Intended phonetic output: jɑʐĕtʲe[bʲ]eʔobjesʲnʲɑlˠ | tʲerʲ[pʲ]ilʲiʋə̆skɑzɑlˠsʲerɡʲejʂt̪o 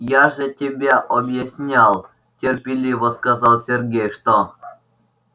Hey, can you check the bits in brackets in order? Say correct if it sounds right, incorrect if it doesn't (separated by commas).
correct, correct